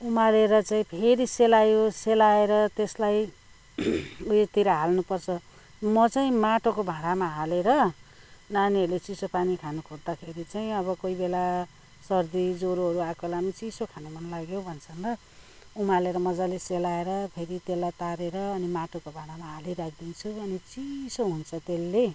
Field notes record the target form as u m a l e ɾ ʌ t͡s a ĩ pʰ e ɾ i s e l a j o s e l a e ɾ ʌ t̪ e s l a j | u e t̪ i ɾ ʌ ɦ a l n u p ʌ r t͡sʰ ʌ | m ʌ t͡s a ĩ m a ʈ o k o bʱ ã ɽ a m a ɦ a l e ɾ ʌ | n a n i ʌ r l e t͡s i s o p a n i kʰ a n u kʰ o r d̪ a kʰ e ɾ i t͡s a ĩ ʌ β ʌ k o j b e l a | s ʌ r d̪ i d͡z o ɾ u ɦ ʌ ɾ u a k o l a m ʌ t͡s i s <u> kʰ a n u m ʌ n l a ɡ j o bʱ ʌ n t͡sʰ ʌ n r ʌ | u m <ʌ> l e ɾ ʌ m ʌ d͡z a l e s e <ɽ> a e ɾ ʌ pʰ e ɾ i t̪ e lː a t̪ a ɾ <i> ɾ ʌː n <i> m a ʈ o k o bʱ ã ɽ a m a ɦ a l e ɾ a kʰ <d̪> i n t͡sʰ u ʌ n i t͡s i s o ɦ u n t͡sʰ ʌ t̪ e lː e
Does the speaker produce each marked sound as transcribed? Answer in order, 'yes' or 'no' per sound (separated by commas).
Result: no, no, no, no, yes, yes